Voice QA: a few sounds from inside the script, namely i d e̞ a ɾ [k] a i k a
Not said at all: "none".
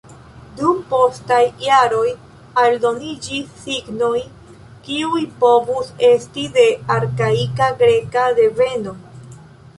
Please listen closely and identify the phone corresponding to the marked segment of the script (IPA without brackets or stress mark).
k